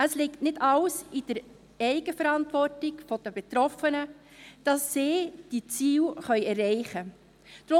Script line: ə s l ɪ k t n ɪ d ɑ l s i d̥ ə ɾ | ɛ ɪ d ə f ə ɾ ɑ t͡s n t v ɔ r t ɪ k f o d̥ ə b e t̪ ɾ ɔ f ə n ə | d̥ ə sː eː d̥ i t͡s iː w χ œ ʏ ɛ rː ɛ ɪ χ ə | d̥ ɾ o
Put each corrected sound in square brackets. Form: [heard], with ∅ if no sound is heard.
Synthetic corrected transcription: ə s l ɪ k t n ɪ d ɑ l s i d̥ ə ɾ | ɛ ɪ [ɡ] ə f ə ɾ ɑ [∅] n t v ɔ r t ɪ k f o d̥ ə b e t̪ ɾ ɔ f ə n ə | d̥ [ɑ] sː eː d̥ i t͡s iː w χ œ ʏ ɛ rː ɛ ɪ χ ə | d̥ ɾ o